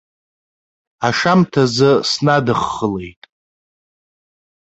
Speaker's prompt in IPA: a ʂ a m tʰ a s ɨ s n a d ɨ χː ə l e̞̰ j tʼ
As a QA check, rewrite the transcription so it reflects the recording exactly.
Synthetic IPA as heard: a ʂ a m tʰ a z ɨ s n a d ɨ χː ə l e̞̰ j tʼ